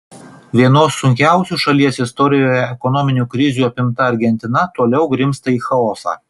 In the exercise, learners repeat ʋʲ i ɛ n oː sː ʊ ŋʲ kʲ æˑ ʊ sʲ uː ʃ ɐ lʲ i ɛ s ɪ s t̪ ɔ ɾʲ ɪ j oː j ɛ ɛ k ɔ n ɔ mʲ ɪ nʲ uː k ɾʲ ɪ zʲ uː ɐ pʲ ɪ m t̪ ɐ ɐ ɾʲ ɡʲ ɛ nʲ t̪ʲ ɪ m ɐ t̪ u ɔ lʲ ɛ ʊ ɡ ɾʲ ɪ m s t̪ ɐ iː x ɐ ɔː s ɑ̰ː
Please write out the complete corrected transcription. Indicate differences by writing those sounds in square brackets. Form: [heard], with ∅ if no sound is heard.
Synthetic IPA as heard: ʋʲ i ɛ n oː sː ʊ ŋʲ kʲ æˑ ʊ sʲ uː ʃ ɐ lʲ i ɛ s ɪ s t̪ ɔ ɾʲ ɪ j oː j ɛ ɛ k ɔ n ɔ mʲ ɪ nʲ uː k ɾʲ ɪ zʲ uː ɐ pʲ ɪ m t̪ ɐ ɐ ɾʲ ɡʲ ɛ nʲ t̪ʲ ɪ [n] ɐ t̪ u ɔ lʲ ɛ ʊ ɡ ɾʲ ɪ m s t̪ ɐ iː x ɐ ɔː s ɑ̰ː